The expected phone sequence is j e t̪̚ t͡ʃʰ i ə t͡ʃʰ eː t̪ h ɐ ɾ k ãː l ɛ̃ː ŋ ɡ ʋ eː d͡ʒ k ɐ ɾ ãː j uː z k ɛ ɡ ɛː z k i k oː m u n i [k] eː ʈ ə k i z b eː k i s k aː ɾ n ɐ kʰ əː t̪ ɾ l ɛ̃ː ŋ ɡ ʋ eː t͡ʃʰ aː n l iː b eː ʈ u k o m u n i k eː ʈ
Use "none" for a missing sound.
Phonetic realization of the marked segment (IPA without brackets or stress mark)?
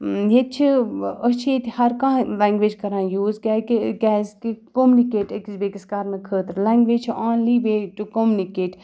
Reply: k